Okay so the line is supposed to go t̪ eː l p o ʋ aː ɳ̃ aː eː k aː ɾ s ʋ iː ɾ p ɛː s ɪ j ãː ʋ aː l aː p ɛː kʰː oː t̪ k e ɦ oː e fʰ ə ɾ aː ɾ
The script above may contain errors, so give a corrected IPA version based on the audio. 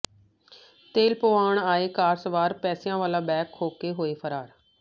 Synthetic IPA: t̪ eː l p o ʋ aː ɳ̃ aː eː k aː ɾ s ʋ aː ɾ p ɛː s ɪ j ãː ʋ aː l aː b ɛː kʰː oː k e ɦ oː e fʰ ə ɾ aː ɾ